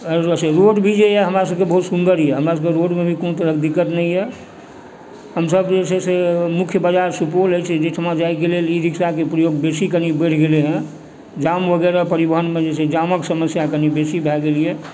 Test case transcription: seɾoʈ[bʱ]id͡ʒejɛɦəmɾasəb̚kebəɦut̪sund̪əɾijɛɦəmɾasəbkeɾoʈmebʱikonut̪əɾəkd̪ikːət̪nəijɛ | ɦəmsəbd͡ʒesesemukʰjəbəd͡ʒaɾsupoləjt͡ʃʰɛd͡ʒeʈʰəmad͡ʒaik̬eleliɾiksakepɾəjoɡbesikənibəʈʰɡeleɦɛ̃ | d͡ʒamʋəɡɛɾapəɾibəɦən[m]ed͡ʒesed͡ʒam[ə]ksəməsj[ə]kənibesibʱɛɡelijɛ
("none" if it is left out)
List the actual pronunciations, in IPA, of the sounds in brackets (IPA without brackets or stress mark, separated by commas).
bʱ, m, ə, a